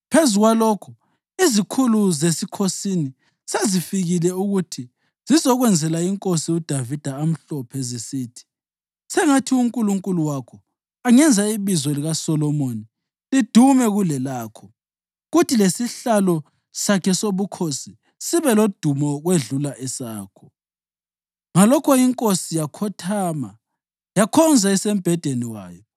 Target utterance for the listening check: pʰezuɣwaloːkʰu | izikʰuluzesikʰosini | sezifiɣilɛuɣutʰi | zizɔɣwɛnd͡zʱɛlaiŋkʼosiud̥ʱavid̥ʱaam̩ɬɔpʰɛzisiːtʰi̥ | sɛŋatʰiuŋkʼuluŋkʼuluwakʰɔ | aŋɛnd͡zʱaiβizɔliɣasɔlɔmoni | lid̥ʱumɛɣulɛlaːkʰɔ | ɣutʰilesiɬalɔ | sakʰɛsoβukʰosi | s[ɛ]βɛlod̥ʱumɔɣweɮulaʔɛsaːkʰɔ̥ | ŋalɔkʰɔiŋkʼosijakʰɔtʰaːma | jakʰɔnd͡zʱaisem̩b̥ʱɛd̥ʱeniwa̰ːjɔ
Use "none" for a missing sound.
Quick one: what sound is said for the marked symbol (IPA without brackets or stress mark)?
i